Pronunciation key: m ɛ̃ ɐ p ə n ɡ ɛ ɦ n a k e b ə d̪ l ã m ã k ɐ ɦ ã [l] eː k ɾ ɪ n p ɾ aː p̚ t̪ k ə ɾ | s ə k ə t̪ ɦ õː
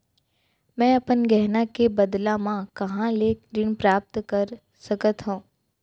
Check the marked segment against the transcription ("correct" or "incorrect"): correct